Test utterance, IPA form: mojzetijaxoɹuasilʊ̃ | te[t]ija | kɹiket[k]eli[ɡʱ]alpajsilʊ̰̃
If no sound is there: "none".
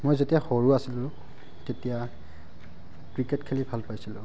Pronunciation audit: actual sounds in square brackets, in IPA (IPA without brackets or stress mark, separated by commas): t, kʰ, bʱ